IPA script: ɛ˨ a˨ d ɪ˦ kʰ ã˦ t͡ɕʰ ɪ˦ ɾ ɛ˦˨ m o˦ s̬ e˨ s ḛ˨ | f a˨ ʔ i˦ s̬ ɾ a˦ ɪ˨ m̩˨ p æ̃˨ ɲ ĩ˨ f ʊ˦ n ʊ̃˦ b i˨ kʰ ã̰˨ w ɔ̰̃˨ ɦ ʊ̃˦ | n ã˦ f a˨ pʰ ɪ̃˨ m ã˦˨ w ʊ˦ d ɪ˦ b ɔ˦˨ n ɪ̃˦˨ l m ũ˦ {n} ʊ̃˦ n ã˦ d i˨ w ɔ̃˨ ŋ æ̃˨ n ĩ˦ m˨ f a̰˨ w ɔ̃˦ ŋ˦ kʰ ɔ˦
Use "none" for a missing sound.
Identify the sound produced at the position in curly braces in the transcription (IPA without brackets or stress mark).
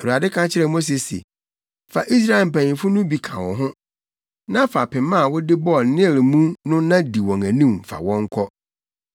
n